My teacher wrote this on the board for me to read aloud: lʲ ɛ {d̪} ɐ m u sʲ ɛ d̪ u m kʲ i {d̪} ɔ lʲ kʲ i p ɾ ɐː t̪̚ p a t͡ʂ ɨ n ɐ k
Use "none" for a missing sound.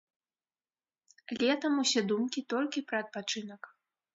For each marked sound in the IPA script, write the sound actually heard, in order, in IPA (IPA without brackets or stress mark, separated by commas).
t̪, t̪